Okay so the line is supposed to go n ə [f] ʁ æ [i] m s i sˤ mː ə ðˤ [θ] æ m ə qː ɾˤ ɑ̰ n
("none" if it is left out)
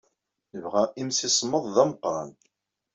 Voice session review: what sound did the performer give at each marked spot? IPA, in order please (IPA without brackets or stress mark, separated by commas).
v, i, ð